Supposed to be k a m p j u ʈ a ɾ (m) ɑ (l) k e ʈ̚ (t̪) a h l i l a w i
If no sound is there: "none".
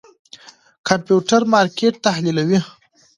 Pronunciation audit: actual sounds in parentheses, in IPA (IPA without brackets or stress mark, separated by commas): m, ɾ, t̪